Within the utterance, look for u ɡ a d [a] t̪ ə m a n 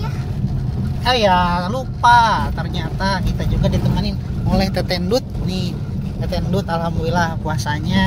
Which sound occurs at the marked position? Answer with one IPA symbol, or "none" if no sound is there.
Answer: i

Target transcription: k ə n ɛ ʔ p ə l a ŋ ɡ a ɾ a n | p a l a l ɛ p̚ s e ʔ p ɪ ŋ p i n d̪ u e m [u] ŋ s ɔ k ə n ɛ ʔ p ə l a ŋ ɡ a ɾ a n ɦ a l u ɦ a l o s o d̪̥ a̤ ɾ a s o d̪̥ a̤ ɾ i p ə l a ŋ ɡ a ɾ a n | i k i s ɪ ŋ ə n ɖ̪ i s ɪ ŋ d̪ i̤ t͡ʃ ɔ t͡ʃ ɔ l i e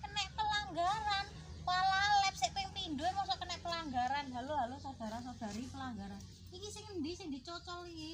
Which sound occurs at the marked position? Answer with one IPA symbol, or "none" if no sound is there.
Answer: ɔ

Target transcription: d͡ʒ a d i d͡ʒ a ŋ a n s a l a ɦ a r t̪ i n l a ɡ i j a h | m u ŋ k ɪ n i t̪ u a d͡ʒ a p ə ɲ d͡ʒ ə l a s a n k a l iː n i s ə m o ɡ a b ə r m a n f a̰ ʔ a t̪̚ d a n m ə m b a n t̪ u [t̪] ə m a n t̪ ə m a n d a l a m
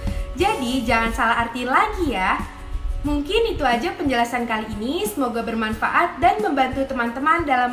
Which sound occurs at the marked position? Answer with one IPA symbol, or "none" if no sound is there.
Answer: t̪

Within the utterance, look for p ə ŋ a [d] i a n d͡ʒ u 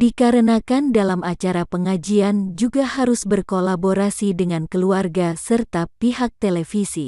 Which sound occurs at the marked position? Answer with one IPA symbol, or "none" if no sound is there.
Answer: d͡ʒ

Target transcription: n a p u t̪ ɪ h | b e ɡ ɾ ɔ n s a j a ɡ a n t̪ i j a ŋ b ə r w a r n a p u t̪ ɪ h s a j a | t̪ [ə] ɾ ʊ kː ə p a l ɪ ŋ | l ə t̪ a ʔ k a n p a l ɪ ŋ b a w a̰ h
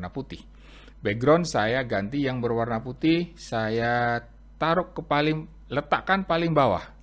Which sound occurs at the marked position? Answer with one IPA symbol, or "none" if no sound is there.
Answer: a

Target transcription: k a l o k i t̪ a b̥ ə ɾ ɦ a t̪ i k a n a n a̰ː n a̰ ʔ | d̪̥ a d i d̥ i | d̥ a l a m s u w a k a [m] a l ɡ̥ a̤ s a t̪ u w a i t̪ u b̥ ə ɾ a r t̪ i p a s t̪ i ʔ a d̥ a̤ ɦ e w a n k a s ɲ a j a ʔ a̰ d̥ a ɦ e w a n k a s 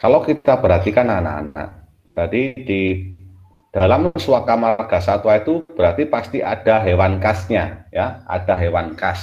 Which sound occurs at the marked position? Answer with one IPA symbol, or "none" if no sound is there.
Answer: m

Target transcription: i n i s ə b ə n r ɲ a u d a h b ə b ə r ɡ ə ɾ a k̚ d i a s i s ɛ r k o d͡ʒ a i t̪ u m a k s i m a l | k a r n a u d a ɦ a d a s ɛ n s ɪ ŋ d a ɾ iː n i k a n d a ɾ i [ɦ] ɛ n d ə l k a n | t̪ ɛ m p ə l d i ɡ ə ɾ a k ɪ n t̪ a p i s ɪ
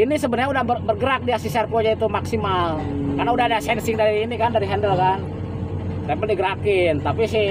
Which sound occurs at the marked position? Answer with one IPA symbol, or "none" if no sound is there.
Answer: ɦ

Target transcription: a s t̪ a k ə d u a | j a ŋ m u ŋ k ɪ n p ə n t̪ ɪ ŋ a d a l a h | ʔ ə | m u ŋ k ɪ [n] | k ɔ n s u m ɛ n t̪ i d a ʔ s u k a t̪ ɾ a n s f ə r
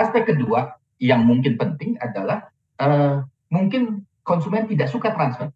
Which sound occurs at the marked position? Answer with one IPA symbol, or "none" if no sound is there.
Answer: n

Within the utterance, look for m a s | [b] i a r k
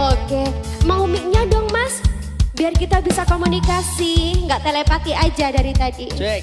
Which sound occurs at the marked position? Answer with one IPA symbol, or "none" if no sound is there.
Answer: b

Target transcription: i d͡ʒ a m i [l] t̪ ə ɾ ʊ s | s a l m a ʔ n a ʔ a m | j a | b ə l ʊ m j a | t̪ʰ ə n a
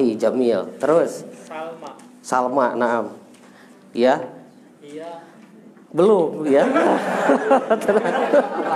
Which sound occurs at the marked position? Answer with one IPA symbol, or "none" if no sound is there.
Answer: l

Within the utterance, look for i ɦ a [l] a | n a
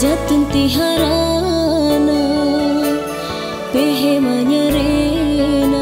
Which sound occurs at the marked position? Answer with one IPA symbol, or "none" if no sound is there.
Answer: ɾ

